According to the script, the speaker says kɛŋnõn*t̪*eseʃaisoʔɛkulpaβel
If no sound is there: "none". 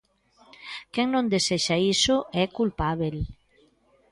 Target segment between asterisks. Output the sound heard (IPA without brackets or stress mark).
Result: d̪